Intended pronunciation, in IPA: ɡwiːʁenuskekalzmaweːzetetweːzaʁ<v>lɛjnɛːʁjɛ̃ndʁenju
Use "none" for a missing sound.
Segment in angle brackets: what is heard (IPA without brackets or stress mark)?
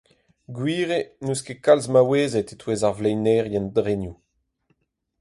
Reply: v